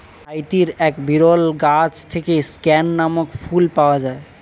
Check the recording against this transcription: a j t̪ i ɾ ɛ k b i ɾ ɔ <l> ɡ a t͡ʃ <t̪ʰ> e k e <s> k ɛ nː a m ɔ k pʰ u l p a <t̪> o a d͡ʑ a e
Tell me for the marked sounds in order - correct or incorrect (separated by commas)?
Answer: correct, correct, correct, incorrect